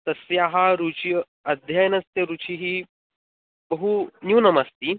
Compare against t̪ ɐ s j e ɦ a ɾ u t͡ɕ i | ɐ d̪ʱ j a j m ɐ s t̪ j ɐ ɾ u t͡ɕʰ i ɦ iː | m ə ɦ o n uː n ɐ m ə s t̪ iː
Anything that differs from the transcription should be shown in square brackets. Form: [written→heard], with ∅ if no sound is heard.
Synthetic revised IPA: t̪ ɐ s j [e→a] ɦ a ɾ u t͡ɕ i | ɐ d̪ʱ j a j [m→n] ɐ s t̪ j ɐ ɾ u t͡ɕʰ i ɦ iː | [m→b] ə ɦ [o→u] n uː n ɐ m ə s t̪ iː